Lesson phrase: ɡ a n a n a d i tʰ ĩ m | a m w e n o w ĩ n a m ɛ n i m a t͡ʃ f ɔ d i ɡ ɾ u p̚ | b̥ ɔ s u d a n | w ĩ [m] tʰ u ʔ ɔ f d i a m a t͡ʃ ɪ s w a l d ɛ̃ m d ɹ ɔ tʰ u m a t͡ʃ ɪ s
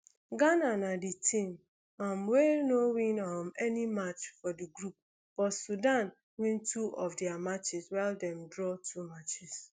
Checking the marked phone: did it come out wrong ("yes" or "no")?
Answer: yes